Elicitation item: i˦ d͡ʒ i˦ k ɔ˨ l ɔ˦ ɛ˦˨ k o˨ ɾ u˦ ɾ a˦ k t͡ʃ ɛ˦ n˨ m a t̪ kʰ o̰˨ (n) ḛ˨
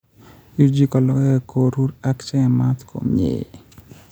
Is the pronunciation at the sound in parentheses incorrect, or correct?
incorrect: m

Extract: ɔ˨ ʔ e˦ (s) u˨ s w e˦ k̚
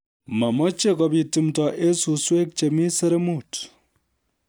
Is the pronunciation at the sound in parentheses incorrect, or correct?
correct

